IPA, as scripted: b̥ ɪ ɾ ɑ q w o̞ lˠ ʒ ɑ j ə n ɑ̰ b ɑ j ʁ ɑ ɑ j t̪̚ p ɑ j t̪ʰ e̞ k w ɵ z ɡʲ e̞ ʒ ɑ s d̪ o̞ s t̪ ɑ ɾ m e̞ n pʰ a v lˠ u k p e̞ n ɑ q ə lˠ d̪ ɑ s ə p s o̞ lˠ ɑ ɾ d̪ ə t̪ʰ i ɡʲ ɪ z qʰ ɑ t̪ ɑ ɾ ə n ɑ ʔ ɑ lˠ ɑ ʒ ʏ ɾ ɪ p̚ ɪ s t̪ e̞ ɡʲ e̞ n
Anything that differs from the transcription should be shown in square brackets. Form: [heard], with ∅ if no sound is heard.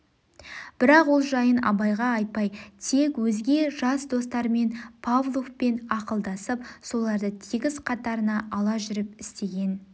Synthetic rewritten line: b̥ ɪ ɾ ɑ q w o̞ lˠ ʒ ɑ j ə n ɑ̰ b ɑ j ʁ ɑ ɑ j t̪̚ p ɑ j t̪ʰ e̞ k w ɵ z ɡʲ e̞ ʒ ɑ s d̪ o̞ s t̪ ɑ ɾ m e̞ n pʰ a v lˠ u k p e̞ n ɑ q ə lˠ d̪ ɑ s ə p s o̞ lˠ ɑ ɾ d̪ ə t̪ʰ i ɡʲ ɪ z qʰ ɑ t̪ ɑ ɾ ə n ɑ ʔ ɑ lˠ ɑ ʒ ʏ ɾ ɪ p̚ ɪ s t̪ e̞ ɡʲ e̞ n